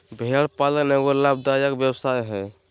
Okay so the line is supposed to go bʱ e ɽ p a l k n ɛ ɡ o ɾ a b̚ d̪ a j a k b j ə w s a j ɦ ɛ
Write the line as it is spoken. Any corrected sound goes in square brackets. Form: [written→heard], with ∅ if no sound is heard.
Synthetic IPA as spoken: bʱ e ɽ p a l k n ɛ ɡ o [ɾ→l] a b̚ d̪ a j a k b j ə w s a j ɦ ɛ